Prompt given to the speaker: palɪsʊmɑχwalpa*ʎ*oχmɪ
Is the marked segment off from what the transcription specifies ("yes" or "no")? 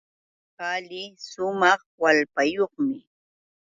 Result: yes